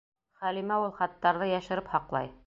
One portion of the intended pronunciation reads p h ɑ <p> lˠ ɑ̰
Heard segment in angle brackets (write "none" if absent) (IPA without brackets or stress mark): q